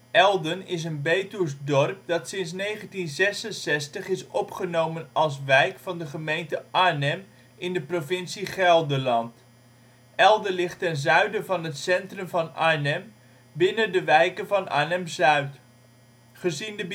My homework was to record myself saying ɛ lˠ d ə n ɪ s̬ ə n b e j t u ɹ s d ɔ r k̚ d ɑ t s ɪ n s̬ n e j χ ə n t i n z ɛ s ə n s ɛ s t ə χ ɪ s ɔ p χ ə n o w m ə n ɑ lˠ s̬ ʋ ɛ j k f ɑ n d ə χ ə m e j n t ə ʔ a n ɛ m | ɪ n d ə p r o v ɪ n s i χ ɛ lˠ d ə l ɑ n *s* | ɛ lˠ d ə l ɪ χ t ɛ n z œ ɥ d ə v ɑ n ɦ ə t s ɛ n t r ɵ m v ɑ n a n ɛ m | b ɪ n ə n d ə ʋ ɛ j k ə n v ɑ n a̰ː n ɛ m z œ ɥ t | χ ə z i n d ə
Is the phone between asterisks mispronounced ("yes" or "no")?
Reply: yes